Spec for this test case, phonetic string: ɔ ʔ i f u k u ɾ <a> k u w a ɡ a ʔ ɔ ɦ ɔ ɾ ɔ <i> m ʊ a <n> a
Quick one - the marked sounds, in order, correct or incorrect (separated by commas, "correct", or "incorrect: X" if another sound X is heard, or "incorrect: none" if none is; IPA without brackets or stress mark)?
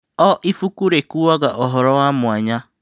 incorrect: e, incorrect: a, incorrect: ɲ